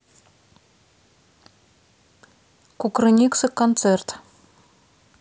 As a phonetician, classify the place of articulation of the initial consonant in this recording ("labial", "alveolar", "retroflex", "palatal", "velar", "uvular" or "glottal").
velar